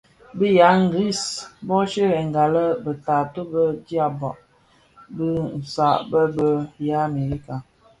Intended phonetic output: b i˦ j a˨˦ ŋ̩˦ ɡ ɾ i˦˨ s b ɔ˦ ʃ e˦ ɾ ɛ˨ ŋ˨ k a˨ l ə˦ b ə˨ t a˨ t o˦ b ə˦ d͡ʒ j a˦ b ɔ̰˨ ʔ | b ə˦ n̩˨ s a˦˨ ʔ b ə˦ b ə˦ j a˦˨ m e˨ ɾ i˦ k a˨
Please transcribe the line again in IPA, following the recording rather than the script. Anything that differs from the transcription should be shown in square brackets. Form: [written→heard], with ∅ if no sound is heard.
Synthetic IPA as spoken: b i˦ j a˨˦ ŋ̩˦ ɡ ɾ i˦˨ s b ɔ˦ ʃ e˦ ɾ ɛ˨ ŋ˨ [k→ɡ] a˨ l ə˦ b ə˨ t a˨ t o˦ b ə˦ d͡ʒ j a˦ b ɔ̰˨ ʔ | b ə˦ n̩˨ s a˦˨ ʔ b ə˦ b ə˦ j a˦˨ m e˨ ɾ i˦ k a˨